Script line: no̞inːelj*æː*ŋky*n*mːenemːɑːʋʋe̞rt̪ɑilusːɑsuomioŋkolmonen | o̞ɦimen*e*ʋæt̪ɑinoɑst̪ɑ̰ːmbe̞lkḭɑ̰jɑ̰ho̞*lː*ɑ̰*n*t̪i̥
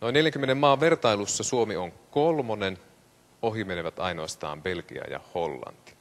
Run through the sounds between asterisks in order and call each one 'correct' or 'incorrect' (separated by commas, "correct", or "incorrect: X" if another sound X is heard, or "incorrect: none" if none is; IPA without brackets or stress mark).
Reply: incorrect: æ, incorrect: none, correct, correct, correct